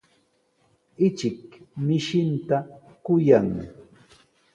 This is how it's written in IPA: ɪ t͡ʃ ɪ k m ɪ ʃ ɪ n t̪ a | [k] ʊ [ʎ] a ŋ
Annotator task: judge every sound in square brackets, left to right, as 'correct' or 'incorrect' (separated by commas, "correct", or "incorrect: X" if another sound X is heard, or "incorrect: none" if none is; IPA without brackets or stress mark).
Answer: correct, incorrect: j